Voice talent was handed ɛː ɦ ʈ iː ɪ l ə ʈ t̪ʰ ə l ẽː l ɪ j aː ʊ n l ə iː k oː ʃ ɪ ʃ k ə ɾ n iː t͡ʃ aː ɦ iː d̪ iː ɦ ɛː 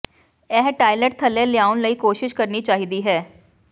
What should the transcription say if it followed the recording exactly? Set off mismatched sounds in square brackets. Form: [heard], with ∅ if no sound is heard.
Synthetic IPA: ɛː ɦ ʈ [aː] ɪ l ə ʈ t̪ʰ ə l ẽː l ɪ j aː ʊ n l ə iː k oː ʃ ɪ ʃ k ə ɾ n iː t͡ʃ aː ɦ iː d̪ iː ɦ ɛː